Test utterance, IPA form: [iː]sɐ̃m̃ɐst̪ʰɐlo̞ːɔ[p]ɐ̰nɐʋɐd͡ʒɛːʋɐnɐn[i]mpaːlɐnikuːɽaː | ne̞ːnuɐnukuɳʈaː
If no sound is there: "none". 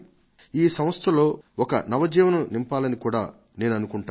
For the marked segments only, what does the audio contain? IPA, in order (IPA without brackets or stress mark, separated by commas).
iː, k, i